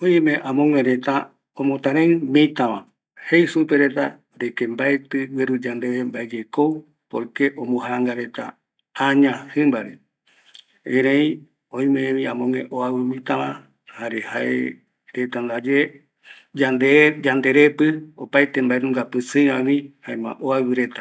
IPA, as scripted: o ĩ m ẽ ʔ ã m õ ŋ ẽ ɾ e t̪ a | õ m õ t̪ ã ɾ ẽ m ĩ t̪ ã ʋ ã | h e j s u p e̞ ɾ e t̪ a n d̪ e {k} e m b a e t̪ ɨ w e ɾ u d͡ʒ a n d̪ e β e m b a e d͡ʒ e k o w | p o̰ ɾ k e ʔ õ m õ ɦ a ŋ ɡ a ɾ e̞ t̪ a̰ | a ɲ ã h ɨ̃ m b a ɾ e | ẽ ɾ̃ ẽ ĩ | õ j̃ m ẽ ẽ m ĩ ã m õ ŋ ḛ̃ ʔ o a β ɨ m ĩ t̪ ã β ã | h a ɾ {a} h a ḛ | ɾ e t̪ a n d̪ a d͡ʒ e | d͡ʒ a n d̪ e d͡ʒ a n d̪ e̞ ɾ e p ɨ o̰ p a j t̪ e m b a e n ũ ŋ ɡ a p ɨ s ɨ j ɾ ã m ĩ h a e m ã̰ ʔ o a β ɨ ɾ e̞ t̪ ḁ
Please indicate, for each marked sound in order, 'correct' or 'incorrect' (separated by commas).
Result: correct, incorrect